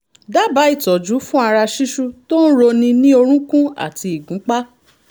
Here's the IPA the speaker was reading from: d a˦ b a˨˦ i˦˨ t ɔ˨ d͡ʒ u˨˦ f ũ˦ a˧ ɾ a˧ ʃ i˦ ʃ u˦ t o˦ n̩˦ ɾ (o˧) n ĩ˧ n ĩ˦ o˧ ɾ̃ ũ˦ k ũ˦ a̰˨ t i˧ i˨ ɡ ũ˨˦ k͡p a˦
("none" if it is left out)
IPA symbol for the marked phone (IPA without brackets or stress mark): o˧